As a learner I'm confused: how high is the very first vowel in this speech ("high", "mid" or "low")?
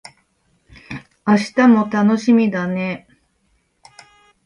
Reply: low